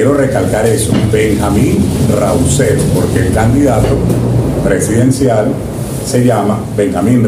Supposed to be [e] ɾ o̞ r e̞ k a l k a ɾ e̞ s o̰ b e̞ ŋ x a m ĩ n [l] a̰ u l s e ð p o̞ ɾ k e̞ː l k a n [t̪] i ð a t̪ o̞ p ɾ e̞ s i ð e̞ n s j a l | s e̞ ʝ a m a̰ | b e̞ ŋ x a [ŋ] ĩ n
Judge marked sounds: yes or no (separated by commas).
yes, no, no, no